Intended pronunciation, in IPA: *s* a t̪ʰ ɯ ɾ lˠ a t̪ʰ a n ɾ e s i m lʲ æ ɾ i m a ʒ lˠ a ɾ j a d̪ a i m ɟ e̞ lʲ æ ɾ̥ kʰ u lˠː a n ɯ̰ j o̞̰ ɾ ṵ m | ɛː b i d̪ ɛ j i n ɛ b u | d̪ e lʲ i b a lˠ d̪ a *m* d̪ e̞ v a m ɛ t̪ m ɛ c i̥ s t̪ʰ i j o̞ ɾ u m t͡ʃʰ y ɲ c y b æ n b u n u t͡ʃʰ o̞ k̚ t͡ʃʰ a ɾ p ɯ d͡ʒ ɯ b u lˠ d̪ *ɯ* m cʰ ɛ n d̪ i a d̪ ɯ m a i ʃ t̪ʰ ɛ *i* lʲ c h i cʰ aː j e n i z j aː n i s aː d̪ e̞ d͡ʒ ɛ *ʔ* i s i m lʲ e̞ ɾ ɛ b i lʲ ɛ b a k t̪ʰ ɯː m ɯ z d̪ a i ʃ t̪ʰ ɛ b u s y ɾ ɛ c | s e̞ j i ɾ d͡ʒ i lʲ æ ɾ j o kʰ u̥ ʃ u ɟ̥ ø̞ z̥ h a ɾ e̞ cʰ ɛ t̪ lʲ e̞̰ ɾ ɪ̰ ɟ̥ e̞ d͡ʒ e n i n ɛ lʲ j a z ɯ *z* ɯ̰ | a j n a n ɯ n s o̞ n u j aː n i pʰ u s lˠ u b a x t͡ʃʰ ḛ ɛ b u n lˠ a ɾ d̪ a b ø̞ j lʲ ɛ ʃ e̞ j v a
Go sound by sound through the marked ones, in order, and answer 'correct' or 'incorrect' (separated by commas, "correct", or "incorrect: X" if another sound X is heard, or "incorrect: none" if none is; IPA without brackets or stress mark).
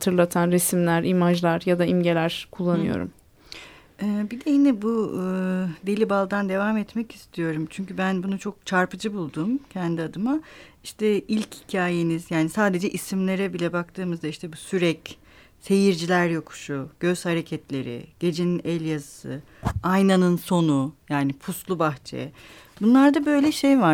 incorrect: h, incorrect: n, incorrect: u, correct, correct, incorrect: s